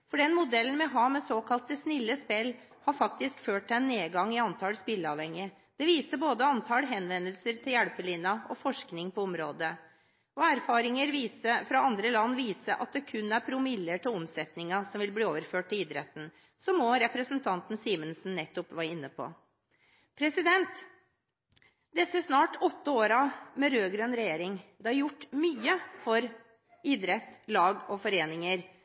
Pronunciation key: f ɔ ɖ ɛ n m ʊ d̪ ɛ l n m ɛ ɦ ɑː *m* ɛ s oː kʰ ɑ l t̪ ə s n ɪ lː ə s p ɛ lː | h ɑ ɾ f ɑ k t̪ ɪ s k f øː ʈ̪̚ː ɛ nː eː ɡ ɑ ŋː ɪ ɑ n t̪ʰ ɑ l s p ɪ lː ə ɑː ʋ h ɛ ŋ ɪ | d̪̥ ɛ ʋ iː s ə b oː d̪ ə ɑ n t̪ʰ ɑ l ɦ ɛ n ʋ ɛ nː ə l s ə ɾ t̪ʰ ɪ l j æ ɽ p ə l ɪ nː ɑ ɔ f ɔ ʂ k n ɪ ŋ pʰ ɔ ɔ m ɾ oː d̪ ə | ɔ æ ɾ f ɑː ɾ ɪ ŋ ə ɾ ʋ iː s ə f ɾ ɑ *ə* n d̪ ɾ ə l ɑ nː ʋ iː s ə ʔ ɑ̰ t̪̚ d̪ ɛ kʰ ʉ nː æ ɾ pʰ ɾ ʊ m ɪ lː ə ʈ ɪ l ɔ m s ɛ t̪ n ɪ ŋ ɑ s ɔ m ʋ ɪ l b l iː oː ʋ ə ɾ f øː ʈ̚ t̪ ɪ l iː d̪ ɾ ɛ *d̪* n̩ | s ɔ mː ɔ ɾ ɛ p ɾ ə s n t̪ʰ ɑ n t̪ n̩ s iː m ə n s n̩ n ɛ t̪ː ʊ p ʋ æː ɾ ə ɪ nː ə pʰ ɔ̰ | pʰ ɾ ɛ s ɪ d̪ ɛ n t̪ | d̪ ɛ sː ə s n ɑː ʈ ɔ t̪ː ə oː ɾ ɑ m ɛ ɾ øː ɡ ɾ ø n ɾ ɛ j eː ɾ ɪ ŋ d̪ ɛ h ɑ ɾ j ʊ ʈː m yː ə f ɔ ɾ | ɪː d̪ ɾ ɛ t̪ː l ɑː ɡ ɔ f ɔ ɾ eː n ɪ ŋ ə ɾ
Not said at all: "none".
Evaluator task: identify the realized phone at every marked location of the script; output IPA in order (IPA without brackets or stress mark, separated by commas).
m, ɑ, t̪